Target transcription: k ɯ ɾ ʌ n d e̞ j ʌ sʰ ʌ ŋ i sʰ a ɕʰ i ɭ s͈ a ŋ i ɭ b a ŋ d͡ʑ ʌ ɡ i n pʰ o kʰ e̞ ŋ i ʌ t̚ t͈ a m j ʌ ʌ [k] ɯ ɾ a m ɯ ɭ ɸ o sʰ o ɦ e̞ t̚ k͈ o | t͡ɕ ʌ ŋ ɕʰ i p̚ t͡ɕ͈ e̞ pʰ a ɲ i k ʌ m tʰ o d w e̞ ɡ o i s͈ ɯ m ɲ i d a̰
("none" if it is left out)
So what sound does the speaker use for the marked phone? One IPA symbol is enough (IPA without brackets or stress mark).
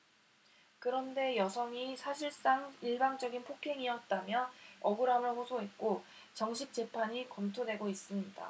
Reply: ɡ